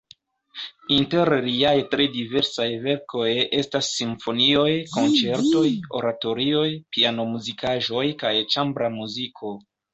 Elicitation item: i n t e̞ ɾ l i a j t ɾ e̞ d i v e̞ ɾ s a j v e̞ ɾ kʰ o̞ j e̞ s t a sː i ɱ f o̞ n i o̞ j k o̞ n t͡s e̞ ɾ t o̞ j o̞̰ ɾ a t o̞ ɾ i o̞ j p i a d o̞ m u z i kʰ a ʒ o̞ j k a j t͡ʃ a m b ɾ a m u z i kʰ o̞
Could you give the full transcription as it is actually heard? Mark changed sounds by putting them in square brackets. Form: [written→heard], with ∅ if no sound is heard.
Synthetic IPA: i n t e̞ ɾ l i a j t ɾ e̞ d i v e̞ ɾ s a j v e̞ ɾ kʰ o̞ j e̞ s t a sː i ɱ f o̞ n i o̞ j k o̞ n t͡s e̞ ɾ t o̞ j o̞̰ ɾ a t o̞ ɾ i o̞ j p i a [d→n] o̞ m u z i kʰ a ʒ o̞ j k a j t͡ʃ a m b ɾ a m u z i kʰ o̞